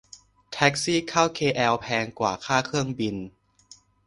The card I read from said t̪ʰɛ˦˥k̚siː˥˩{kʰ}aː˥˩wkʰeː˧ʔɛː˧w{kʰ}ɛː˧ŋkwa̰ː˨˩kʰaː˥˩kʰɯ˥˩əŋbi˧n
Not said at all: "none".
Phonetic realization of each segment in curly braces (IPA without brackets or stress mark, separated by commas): kʰ, pʰ